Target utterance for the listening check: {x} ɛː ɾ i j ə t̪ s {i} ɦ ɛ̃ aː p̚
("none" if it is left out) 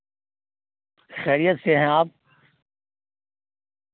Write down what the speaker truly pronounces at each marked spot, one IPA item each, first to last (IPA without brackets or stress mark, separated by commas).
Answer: x, e